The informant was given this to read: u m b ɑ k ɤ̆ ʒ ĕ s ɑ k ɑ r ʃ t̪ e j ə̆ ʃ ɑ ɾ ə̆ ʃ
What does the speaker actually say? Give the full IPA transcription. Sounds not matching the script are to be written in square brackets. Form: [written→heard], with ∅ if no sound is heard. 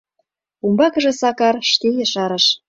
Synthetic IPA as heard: u m b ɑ k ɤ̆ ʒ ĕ s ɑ k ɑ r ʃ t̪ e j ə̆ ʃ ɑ ɾ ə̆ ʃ